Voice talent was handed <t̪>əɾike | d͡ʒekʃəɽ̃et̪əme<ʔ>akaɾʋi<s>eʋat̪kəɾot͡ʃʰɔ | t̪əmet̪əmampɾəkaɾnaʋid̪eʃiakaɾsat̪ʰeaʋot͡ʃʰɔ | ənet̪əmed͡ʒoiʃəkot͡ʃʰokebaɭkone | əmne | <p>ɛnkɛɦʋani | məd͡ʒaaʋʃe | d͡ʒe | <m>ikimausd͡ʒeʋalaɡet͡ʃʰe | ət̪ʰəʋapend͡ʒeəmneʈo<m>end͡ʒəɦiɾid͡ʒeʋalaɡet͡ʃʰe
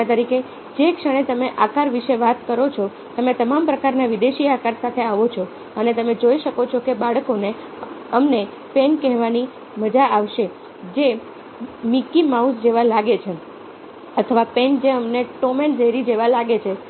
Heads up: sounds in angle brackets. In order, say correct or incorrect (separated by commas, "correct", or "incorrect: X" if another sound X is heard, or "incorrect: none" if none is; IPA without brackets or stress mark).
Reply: correct, correct, incorrect: ʃ, correct, correct, correct